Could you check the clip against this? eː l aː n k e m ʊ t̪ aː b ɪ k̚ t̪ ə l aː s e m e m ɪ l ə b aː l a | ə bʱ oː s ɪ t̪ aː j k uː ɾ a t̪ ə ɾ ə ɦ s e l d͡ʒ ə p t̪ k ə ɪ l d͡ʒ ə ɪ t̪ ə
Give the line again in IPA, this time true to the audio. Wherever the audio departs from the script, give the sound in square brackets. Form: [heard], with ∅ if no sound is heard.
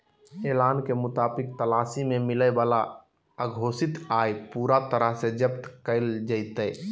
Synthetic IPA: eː l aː n k e m ʊ t̪ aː b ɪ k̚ t̪ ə l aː s [i] m e m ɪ l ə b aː l a | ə [ɡʱ] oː s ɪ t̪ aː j [p] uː ɾ a t̪ ə ɾ ə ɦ s e [∅] d͡ʒ ə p t̪ k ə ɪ l d͡ʒ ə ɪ t̪ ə